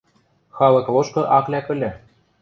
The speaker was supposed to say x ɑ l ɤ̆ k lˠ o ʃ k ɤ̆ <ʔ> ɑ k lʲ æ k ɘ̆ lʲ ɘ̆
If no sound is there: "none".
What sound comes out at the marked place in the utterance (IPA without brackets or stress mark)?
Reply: ʔ